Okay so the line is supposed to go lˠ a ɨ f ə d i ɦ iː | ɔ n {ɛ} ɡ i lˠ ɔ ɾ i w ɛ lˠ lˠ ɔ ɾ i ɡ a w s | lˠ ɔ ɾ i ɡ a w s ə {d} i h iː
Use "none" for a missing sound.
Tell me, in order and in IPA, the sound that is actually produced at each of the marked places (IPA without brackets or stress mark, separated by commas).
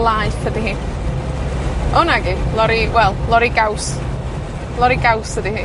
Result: a, d